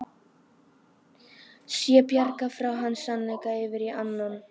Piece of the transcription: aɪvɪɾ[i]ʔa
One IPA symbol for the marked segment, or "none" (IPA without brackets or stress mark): i